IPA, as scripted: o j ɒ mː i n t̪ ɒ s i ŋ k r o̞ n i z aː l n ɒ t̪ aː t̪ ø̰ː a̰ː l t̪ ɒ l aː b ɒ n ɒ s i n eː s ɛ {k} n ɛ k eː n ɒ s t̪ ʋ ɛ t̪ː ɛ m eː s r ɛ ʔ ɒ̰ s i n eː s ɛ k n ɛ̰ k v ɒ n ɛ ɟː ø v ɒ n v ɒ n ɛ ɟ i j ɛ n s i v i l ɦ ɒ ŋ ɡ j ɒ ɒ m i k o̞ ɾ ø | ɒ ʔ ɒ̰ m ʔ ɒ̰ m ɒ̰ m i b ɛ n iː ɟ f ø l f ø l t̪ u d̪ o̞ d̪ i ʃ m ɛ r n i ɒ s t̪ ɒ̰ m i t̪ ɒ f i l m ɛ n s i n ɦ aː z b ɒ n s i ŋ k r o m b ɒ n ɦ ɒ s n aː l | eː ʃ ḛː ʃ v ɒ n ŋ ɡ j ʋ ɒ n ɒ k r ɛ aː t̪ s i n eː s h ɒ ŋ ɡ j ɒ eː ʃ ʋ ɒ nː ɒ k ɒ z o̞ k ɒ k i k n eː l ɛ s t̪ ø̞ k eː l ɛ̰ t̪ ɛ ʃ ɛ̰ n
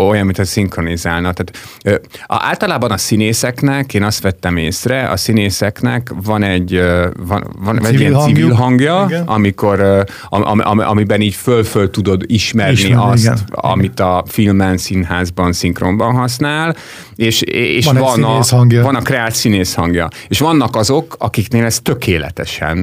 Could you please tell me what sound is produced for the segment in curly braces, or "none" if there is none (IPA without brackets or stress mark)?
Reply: k